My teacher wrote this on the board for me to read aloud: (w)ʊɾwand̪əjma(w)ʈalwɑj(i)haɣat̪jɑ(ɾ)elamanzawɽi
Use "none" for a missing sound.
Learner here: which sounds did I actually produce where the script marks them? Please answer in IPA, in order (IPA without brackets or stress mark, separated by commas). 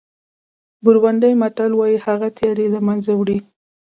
b, none, i, ɾ